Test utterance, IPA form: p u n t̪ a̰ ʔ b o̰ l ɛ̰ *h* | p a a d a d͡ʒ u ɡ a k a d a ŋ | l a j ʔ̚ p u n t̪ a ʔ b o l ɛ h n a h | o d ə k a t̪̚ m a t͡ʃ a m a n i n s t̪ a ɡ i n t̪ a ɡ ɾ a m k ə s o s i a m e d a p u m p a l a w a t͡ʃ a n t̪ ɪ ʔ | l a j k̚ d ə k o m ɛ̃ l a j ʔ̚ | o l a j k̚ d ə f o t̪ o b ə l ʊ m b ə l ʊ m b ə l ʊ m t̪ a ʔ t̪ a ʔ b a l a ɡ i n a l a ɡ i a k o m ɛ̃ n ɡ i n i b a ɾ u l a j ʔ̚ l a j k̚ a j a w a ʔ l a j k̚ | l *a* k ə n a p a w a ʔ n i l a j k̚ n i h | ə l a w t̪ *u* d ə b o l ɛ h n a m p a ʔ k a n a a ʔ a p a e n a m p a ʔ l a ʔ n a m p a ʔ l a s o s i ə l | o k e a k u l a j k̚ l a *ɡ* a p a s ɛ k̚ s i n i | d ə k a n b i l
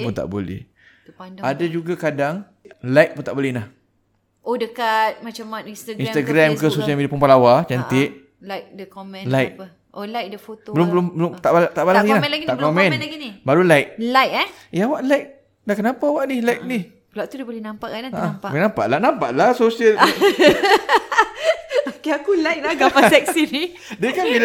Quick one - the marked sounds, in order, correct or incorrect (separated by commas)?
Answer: correct, correct, correct, correct